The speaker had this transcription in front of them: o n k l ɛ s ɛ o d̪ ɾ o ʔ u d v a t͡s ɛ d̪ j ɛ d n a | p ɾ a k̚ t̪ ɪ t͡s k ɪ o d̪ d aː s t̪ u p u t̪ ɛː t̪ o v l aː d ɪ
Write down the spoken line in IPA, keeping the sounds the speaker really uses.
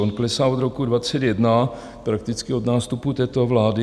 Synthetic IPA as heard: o n k l ɛ s a o d̪ ɾ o k u d v a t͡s ɛ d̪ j ɛ d n a | p ɾ a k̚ t̪ ɪ t͡s k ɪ o d̪ n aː s t̪ u p u t̪ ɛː t̪ o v l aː d ɪ

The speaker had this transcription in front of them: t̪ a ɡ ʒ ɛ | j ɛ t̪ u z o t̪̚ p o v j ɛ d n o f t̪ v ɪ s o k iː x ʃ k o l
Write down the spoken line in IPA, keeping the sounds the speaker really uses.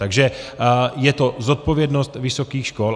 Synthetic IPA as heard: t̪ a ɡ ʒ ɛ | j ɛ t̪ o z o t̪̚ p o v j ɛ d n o s t̪ v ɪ s o k iː x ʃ k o l

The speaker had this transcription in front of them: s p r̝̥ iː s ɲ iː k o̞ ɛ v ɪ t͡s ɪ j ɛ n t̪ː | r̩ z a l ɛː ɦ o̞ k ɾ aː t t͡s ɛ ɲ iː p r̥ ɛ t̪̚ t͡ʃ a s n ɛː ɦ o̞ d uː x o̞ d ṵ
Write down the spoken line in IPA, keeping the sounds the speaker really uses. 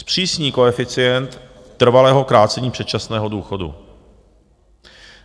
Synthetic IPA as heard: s p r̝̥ iː s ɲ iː k o̞ ɛ f ɪ t͡s ɪ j ɛ n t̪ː | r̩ v a l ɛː ɦ o̞ k ɾ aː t t͡s ɛ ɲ iː p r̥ ɛ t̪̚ t͡ʃ a s n ɛː ɦ o̞ d uː x o̞ d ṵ

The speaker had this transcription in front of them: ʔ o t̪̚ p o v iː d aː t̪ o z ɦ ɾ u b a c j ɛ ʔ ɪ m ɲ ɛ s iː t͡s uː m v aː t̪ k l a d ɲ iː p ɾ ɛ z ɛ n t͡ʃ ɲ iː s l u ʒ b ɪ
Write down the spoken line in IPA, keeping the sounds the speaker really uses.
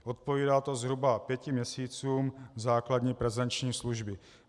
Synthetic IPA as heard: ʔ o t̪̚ p o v iː d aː t̪ o z ɦ ɾ u b a p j ɛ c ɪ m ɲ ɛ s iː t͡s uː m z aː k l a d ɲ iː p ɾ ɛ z ɛ n t͡ʃ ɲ iː s l u ʒ b ɪ

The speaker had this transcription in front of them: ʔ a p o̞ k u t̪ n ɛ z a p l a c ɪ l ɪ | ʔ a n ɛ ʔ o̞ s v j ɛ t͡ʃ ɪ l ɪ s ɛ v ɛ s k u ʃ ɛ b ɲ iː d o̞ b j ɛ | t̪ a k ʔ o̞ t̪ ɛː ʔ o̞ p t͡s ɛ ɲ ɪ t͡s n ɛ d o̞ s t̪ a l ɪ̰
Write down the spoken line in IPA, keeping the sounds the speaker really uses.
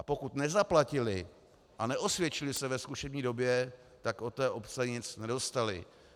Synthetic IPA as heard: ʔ a p o̞ k u t̪ n ɛ z a p l a c ɪ l ɪ | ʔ a n ɛ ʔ o̞ s v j ɛ t͡ʃ ɪ l ɪ s ɛ v ɛ s k u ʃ ɛ b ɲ iː d o̞ b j ɛ | t̪ a k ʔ o̞ t̪ ɛː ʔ o̞ p t͡s ɛ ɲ ɪ t͡s n ɛ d o̞ s t̪ a l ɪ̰

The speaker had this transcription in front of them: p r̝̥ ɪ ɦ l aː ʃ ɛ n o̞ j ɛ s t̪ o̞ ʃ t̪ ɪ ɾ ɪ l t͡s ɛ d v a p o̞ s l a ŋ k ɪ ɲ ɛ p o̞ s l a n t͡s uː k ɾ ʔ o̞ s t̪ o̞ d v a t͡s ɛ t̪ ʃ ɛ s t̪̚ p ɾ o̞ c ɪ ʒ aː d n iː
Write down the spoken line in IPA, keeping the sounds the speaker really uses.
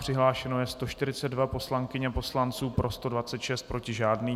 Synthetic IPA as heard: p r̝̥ ɪ ɦ l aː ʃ ɛ n o̞ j ɛ s t̪ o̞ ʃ t̪ ɪ ɾ ɪ t͡s ɛ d v a p o̞ s l a ŋ k ɪ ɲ ɛ p o̞ s l a n t͡s uː p ɾ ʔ o̞ s t̪ o̞ d v a t͡s ɛ t̪ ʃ ɛ s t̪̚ p ɾ o̞ c ɪ ʒ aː d n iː

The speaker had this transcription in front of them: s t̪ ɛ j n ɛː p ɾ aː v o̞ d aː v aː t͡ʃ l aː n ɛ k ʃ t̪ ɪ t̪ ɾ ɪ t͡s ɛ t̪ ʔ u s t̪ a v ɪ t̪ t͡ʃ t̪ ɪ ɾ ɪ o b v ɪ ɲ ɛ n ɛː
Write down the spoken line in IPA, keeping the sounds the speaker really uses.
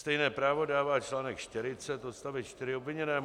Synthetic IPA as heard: s t̪ ɛ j n ɛː p ɾ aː v o̞ d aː v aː t͡ʃ l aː n ɛ k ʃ t̪ ɪ ɾ ɪ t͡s ɛ t̪ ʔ o s t̪ a v ɪ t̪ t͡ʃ t̪ ɪ ɾ ɪ o b v ɪ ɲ ɛ n ɛː

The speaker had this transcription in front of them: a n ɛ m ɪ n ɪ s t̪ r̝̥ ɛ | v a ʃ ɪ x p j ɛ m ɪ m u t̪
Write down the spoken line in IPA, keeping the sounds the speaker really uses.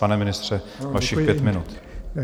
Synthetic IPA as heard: a n ɛ m ɪ n ɪ s t̪ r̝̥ ɛ | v a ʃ ɪ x p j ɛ m ɪ n u t̪

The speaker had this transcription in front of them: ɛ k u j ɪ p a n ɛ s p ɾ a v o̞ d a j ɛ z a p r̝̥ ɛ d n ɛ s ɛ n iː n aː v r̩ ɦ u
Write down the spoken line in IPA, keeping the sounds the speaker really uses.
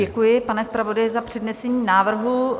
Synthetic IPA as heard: ɛ k u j ɪ p a n ɛ s p ɾ a v o̞ d a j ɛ z a p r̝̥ ɛ d n ɛ s ɛ ɲ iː n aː v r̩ ɦ u

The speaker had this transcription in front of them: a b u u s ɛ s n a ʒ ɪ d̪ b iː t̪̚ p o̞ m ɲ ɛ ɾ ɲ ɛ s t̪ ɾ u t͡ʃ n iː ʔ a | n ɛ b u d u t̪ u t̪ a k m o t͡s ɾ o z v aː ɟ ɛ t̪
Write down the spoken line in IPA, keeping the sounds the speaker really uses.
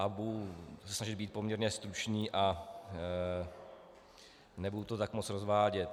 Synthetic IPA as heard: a b u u s ɛ s n a ʒ ɪ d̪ b iː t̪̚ p o̞ m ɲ ɛ ɾ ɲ ɛ s t̪ ɾ u t͡ʃ ɲ iː ʔ a | n ɛ b u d u t̪ o t̪ a k m o t͡s ɾ o z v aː ɟ ɛ t̪

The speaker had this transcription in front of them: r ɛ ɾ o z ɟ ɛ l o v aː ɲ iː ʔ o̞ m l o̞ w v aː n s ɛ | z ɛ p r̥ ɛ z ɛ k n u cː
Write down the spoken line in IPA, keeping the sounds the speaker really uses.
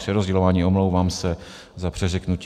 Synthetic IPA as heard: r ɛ ɾ o z ɟ ɛ l o v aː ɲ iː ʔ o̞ m l o̞ w v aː m s ɛ | z a p r̥ ɛ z ɛ k n u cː

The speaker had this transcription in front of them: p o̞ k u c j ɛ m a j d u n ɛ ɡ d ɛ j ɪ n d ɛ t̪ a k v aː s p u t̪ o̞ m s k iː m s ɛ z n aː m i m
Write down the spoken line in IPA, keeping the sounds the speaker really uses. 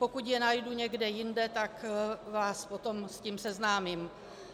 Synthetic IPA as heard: p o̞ k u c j ɛ n a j d u ɲ ɛ ɡ d ɛ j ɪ n d ɛ t̪ a k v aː s p o t̪ o̞ m s c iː m s ɛ z n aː m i m

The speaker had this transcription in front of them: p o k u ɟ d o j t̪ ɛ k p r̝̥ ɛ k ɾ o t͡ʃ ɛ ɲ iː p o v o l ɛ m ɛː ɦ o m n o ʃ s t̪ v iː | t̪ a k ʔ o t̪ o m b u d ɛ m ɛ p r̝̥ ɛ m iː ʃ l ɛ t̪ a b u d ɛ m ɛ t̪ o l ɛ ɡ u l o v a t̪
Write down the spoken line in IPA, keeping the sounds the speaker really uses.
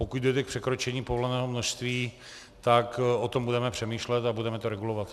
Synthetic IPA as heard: p o k u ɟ d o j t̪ ɛ k p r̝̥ ɛ k ɾ o t͡ʃ ɛ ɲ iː p o v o l ɛ n ɛː ɦ o m n o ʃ s t̪ v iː | t̪ a k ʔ o t̪ o m b u d ɛ m ɛ p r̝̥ ɛ m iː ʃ l ɛ t̪ a b u d ɛ m ɛ t̪ o ɾ ɛ ɡ u l o v a t̪

